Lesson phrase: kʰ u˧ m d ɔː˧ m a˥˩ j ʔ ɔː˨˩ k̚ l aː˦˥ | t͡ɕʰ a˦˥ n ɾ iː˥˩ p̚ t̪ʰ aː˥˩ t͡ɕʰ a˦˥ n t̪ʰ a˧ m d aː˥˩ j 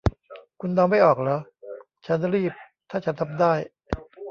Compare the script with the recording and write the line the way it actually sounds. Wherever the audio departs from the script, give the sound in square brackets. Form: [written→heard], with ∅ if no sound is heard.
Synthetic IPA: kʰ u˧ [m→n] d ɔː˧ m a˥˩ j ʔ ɔː˨˩ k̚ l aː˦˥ | t͡ɕʰ a˦˥ n ɾ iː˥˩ p̚ t̪ʰ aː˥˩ t͡ɕʰ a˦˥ n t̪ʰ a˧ m d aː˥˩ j